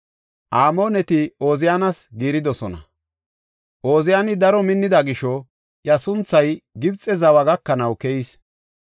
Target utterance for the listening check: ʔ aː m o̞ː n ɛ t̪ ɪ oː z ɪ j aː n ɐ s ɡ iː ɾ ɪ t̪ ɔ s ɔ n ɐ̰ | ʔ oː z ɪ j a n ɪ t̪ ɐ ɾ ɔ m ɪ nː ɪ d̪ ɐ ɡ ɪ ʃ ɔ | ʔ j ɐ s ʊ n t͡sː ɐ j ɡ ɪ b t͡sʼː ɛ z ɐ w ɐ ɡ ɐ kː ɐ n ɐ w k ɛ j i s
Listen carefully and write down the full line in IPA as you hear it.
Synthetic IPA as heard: ʔ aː m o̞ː n ɛ t̪ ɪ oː z ɪ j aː n ɐ s ɡ iː ɾ ɪ d̪ ɔ s ɔ n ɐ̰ | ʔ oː z ɪ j a n ɪ d̪ ɐ ɾ ɔ m ɪ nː ɪ d̪ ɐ ɡ ɪ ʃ ɔ | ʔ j ɐ s ʊ n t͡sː ɐ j ɡ ɪ b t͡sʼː ɛ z ɐ w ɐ ɡ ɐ kː ɐ n ɐ w k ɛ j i s